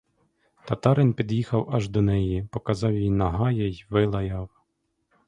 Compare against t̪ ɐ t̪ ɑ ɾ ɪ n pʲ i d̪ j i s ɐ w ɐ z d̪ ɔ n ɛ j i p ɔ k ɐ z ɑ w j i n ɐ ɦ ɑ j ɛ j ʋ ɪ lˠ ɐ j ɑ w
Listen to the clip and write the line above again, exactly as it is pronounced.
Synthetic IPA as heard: t̪ ɐ t̪ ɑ ɾ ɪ n pʲ i d̪ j i x ɐ w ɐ ʒ d̪ ɔ n ɛ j i p ɔ k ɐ z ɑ w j i n ɐ ɦ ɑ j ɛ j ʋ ɪ lˠ ɐ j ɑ w